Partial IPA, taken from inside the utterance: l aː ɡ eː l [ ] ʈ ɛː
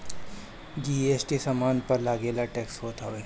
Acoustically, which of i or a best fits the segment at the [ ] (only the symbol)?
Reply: a